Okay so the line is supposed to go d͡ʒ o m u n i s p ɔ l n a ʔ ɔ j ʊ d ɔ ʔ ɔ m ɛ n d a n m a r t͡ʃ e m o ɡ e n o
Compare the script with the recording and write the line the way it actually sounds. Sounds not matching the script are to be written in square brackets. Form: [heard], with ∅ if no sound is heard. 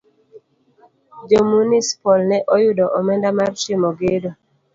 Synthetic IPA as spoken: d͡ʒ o m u n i s p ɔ l n [ɛ] ʔ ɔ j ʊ d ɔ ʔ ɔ m ɛ n d a [∅] m a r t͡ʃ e m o ɡ e [d] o